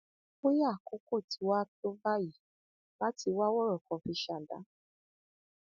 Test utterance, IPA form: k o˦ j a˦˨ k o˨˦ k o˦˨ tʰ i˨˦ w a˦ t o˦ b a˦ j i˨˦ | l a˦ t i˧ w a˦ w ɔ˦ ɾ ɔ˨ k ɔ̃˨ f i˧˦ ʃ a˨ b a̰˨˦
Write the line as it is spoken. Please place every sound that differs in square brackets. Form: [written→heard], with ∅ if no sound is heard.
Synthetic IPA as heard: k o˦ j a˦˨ k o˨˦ k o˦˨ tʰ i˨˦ w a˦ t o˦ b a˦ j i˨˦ | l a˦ t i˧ w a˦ w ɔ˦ ɾ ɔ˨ k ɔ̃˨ f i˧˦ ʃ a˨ [b→d] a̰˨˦